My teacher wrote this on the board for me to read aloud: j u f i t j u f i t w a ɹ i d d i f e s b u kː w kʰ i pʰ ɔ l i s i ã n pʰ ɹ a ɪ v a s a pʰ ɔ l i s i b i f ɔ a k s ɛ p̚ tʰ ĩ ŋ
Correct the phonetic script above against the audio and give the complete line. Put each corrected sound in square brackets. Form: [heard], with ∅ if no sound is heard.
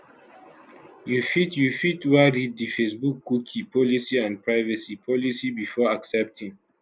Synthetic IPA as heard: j u f i t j u f i t w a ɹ i d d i f e s b u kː [u] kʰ i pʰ ɔ l i s i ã n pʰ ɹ a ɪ v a s [i] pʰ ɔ l i s i b i f ɔ a k s ɛ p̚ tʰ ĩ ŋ